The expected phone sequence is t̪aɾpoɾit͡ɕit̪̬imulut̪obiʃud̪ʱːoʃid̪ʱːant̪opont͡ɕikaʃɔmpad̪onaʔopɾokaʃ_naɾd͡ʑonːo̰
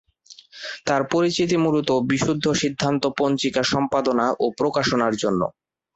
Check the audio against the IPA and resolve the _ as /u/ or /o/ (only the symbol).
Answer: o